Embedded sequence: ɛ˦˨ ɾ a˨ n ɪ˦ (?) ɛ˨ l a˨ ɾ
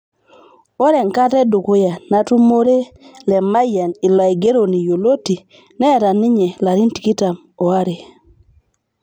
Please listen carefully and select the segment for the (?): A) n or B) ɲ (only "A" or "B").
B